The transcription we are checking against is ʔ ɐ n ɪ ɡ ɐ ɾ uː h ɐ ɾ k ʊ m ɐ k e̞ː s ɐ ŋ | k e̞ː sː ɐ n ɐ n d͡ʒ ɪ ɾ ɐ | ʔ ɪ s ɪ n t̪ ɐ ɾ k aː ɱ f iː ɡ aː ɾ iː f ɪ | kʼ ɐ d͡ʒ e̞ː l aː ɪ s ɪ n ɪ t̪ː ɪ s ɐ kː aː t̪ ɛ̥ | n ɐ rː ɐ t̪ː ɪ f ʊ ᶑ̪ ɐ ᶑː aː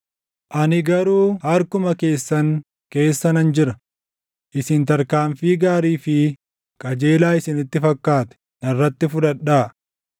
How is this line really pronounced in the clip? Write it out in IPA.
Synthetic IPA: ʔ ɐ n ɪ ɡ ɐ ɾ uː h ɐ ɾ k ʊ m ɐ k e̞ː sː ɐ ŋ | k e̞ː sː ɐ n ɐ n d͡ʒ ɪ ɾ ɐ | ʔ ɪ s ɪ n t̪ ɐ ɾ k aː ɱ f iː ɡ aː ɾ iː f ɪ | kʼ ɐ d͡ʒ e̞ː l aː ɪ s ɪ n ɪ t̪ː ɪ f ɐ kː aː t̪ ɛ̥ | n ɐ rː ɐ t̪ː ɪ f ʊ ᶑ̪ ɐ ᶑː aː